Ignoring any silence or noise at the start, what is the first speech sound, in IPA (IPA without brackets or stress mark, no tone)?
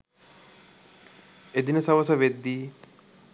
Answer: e